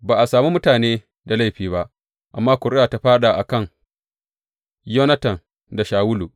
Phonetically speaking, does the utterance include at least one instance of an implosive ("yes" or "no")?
yes